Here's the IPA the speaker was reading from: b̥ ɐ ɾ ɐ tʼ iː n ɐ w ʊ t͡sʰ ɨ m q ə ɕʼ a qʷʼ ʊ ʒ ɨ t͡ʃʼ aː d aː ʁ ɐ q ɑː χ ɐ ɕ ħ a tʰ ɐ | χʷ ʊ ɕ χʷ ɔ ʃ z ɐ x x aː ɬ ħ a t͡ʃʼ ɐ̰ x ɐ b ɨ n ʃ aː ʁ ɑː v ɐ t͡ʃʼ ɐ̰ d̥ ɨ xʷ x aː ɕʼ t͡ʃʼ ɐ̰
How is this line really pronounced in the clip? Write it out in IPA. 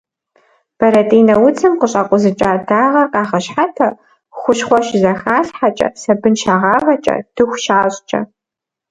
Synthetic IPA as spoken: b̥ ɐ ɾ ɐ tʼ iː n ɐ w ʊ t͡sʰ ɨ m q ə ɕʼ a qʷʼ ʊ z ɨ t͡ʃʼ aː d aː ʁ ɐ q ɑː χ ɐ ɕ ħ a tʰ ɐ | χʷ ʊ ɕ χʷ ɔ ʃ z ɐ x x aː ɬ ħ a t͡ʃʼ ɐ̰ s ɐ b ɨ n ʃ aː ʁ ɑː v ɐ t͡ʃʼ ɐ̰ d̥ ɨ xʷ ʃ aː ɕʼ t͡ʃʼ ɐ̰